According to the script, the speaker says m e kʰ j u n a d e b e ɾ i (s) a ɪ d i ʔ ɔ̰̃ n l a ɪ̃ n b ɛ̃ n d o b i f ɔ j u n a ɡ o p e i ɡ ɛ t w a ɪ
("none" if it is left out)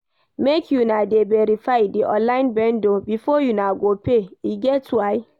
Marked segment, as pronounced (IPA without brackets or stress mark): f